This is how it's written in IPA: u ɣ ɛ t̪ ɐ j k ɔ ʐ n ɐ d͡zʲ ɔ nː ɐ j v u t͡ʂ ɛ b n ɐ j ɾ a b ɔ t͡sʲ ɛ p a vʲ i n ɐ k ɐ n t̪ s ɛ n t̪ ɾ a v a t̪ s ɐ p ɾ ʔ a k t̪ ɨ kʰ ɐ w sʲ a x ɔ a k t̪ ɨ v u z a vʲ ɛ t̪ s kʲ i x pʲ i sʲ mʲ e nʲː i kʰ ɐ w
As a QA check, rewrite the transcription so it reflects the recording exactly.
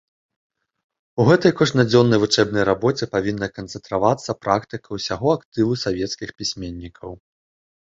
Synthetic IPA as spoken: u ɣ ɛ t̪ ɐ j k ɔ ʐ n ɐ d͡zʲ ɔ nː ɐ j v u t͡ʂ ɛ b n ɐ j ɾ a b ɔ t͡sʲ ɛ p a vʲ i nː ɐ k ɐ n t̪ s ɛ n t̪ ɾ a v a t̪ sː ɐ p ɾ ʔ a k t̪ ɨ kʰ ɐ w sʲ a ɣ ɔ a k t̪ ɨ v u s a vʲ ɛ t̪ s kʲ i x pʲ i sʲ mʲ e nʲː i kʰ ɐ w

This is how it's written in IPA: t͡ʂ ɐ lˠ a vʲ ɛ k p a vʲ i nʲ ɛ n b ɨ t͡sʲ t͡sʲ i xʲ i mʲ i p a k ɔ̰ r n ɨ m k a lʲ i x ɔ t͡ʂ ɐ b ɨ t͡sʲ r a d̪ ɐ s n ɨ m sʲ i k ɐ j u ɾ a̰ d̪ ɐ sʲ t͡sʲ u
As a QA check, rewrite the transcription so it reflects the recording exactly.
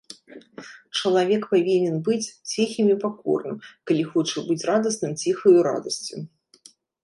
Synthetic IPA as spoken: t͡ʂ ɐ lˠ a vʲ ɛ k p a vʲ i nʲ ɛ n b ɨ t͡sʲ t͡sʲ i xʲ i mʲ i p a k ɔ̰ r n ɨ m k a lʲ i x ɔ t͡ʂ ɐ b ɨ t͡sʲ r a d̪ ɐ s n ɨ m t͡sʲ i x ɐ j u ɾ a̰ d̪ ɐ sʲ t͡sʲ u

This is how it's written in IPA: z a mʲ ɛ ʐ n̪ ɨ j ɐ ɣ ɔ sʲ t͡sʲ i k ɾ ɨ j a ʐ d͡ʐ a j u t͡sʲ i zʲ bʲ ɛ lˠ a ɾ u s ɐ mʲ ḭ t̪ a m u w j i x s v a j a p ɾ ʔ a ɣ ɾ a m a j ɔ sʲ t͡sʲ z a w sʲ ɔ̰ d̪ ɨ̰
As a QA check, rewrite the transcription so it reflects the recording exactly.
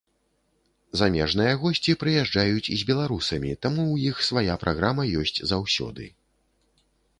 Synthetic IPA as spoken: z a mʲ ɛ ʐ n̪ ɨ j ɐ ɣ ɔ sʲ t͡sʲ i p ɾ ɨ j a ʐ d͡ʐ a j u t͡sʲ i zʲ bʲ ɛ lˠ a ɾ u s ɐ mʲ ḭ t̪ a m u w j i x s v a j a p ɾ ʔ a ɣ ɾ a m ɐ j ɔ sʲ t͡sʲ z a w sʲ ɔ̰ d̪ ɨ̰

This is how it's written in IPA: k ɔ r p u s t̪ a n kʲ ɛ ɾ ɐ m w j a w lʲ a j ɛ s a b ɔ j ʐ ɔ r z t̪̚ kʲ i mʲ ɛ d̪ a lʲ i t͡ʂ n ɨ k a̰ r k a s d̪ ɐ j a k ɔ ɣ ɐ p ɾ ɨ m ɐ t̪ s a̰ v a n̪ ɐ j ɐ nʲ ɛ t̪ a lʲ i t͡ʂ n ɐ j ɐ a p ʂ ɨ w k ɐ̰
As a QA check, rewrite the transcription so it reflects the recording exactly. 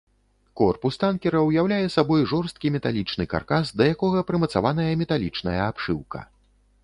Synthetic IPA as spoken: k ɔ r p u s t̪ a n kʲ ɛ ɾ ɐ w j a w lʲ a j ɛ s a b ɔ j ʐ ɔ r s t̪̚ kʲ i mʲ ɛ t̪ a lʲ i t͡ʂ n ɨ k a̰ r k a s d̪ ɐ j a k ɔ ɣ ɐ p ɾ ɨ m ɐ t̪ s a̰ v a n̪ ɐ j ɐ mʲ ɛ t̪ a lʲ i t͡ʂ n ɐ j ɐ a p ʂ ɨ w k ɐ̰

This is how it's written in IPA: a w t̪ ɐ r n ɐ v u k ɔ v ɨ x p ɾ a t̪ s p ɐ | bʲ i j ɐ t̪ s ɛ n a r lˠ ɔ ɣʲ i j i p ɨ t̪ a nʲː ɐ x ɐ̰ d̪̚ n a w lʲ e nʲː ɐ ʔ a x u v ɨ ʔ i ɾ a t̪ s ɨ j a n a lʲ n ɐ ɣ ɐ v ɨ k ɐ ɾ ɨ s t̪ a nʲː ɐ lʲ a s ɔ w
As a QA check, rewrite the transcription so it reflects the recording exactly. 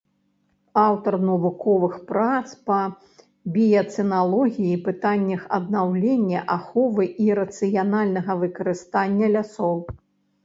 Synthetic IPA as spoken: a w t̪ ɐ r n ɐ v u k ɔ v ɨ x p ɾ a t̪ s p ɐ | bʲ i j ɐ t̪ s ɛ n a lˠ ɔ ɣʲ i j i p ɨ t̪ a nʲː ɐ x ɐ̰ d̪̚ n a w lʲ e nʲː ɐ ʔ a x ɔ v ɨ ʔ i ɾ ɐ t̪ s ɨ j a n a lʲ n ɐ ɣ ɐ v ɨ k ɐ ɾ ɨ s t̪ a nʲː ɐ lʲ a s ɔ w

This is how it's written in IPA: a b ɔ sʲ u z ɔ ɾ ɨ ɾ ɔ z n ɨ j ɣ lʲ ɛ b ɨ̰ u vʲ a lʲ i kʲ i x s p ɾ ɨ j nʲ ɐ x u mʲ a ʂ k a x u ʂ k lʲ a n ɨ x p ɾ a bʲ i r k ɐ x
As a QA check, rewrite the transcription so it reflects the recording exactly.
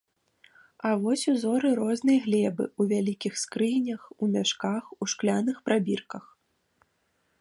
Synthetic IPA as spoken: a v ɔ sʲ u z ɔ ɾ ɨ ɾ ɔ z n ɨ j ɣ lʲ ɛ b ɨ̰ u vʲ a lʲ i kʲ i x s k ɾ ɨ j nʲ ɐ x u mʲ a ʂ k a x u ʂ k lʲ a n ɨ x p ɾ a bʲ i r k ɐ x

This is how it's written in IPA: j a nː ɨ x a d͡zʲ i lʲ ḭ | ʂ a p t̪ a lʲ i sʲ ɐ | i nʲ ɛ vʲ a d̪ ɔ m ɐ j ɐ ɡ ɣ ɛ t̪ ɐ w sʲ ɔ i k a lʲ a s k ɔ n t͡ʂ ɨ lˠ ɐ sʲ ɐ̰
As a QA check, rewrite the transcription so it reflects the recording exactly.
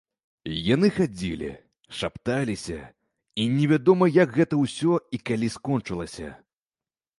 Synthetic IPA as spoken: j a n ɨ x a d͡zʲ i lʲ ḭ | ʂ a p t̪ a lʲ i sʲ ɐ | i nʲ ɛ vʲ a d̪ ɔ m ɐ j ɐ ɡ ɣ ɛ t̪ ɐ w sʲ ɔ i k a lʲ i s k ɔ n t͡ʂ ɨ lˠ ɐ sʲ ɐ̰

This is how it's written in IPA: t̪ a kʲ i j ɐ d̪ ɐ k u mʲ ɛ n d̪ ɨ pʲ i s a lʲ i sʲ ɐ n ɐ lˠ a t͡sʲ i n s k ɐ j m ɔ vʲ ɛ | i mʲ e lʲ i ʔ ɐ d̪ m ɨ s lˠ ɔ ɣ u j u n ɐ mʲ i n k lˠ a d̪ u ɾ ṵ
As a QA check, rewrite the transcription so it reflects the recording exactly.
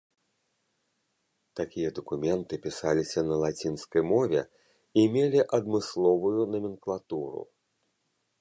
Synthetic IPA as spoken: t̪ a kʲ i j ɐ d̪ ɐ k u mʲ ɛ n t̪ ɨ pʲ i s a lʲ i sʲ ɐ n ɐ lˠ a t͡sʲ i n s k ɐ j m ɔ vʲ ɛ | i mʲ e lʲ i ʔ ɐ d̪ m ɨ s lˠ ɔ v u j u n ɐ mʲ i n k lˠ a t̪ u ɾ ṵ

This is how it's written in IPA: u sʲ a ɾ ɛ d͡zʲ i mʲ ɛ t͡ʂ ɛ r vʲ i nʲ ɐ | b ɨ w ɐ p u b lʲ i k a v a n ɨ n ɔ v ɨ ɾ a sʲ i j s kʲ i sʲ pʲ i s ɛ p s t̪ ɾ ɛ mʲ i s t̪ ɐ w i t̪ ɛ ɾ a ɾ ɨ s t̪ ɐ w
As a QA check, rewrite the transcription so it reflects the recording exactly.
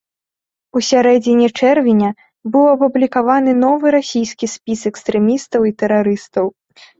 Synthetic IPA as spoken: u sʲ a ɾ ɛ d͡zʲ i nʲ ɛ t͡ʂ ɛ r vʲ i nʲ ɐ | b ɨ w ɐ p u b lʲ i k a v a n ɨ n ɔ v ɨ ɾ a sʲ i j s kʲ i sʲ pʲ i s ɛ k s t̪ ɾ ɛ mʲ i s t̪ ɐ w i t̪ ɛ ɾ a ɾ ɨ s t̪ ɐ w

